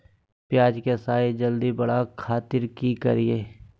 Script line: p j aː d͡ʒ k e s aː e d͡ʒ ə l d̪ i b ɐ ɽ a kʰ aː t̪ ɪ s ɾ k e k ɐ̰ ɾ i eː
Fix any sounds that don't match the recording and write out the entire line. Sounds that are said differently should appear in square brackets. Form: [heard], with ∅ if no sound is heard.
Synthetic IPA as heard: p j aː d͡ʒ k e s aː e d͡ʒ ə l d̪ i b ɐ ɽ a kʰ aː t̪ ɪ [∅] ɾ k [i] k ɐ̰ ɾ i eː